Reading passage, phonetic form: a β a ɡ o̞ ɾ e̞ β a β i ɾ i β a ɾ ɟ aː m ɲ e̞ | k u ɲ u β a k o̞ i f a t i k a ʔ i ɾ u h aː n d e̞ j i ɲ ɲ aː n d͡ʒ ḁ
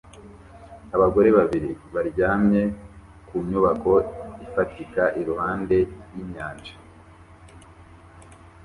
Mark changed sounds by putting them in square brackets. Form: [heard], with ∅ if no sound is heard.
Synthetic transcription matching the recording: a β a ɡ o̞ ɾ e̞ β a β i ɾ i β a ɾ ɟ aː m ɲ e̞ | k u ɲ u β a k o̞ i f a t i k a ʔ i ɾ u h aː n d e̞ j i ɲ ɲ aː n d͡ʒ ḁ